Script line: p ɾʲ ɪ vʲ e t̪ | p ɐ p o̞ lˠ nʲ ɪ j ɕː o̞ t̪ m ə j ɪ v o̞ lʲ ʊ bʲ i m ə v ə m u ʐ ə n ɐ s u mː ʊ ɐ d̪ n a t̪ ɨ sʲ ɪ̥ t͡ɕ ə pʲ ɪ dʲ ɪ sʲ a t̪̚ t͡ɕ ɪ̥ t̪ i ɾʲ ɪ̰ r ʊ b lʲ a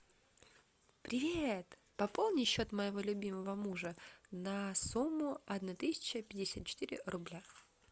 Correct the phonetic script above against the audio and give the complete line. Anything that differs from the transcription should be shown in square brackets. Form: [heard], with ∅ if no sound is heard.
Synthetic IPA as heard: p ɾʲ ɪ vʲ e t̪ | p ɐ p o̞ lˠ nʲ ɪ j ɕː o̞ t̪ m ə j ɪ v o̞ lʲ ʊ bʲ i m ə v ə m u ʐ ə n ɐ s u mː ʊ ɐ d̪ n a t̪ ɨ sʲ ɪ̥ t͡ɕ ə pʲ ɪ dʲ ɪ sʲ a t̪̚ t͡ɕ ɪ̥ t̪ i ɾʲ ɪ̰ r ʊ b lʲ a